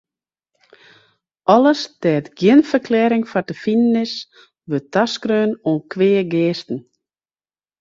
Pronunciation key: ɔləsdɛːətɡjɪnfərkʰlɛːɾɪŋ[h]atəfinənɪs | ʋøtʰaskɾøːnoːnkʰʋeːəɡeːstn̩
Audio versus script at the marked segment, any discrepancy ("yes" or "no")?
yes